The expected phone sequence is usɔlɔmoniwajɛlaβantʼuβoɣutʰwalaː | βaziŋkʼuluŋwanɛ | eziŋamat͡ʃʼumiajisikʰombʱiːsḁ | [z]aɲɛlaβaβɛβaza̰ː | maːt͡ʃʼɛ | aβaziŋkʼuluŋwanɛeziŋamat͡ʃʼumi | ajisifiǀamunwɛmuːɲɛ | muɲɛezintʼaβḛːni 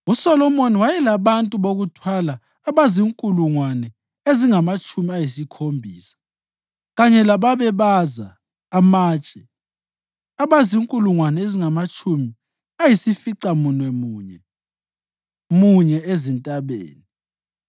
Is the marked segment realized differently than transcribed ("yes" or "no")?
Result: yes